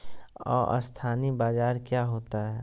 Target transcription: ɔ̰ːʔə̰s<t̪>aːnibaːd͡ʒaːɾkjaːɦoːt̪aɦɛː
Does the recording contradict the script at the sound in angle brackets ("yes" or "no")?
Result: yes